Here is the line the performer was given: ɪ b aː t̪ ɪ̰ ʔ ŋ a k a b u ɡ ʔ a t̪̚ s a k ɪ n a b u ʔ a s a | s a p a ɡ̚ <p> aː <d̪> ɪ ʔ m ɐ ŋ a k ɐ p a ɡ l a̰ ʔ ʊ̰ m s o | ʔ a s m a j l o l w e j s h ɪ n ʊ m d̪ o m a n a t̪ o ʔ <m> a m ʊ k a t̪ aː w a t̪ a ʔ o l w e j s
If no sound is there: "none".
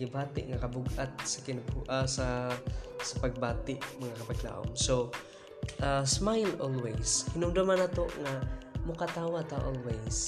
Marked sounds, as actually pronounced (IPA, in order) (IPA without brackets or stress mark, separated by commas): b, t̪, ŋ